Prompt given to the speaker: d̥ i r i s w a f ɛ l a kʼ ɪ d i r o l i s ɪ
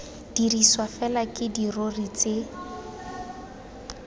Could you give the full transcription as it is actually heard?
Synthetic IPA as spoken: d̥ i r i s w a f ɛ l a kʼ ɪ d i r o r i t͡s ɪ